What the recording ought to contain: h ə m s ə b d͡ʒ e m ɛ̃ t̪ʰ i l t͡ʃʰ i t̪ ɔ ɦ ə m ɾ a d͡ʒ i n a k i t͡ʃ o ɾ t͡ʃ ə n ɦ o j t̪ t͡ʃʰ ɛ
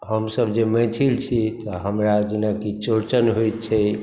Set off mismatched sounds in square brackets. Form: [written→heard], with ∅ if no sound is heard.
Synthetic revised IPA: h ə m s ə b d͡ʒ e m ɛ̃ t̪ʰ i l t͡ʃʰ i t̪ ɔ ɦ ə m ɾ a d͡ʒ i n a k i t͡ʃ o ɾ t͡ʃ ə n ɦ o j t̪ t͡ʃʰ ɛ